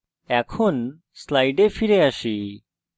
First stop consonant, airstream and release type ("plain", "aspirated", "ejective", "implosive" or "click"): aspirated